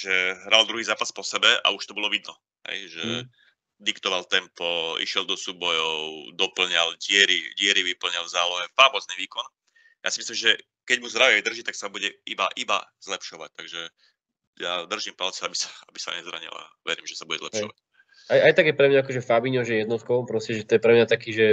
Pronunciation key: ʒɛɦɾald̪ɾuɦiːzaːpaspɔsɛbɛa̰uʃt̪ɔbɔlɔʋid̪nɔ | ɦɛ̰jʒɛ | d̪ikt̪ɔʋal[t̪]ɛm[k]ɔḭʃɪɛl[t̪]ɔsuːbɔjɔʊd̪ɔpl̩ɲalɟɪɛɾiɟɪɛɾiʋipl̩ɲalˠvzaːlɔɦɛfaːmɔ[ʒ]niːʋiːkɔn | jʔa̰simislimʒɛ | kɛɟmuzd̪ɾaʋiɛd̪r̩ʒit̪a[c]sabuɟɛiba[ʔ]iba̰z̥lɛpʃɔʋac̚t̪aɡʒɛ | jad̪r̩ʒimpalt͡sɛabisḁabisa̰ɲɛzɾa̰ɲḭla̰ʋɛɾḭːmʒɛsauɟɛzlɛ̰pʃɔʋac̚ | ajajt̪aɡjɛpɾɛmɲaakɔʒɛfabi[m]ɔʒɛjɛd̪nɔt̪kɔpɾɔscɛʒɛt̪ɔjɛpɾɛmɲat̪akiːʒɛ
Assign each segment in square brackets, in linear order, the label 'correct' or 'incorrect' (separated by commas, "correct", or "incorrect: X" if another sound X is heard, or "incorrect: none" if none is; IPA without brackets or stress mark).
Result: correct, incorrect: p, incorrect: d̪, incorrect: z, incorrect: k, correct, incorrect: ɲ